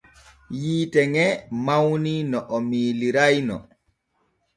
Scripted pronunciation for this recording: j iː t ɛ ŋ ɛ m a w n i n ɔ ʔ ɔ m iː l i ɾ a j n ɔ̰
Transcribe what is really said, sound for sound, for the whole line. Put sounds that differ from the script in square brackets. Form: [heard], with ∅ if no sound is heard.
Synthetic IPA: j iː t ɛ ŋ ɛ m a w n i n ɔ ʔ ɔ m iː l i ɾ a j n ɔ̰